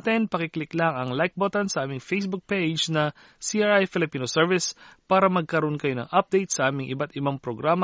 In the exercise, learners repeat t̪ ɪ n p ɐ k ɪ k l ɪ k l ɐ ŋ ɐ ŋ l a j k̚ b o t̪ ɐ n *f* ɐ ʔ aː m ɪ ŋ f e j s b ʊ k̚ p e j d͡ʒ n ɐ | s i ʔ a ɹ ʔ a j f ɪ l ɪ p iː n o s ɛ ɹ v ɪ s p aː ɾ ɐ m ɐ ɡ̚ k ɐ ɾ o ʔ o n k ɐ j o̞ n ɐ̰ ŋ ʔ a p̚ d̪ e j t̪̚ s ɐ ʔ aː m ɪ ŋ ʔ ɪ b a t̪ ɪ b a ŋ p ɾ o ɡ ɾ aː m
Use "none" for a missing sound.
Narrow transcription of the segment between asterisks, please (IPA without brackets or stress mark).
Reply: s